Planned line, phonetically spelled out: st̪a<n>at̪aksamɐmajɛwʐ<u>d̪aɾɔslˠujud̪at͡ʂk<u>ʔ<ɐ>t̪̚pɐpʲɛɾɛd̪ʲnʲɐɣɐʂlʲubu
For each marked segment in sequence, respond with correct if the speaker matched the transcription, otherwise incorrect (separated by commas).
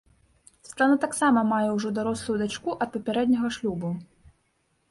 correct, incorrect, correct, correct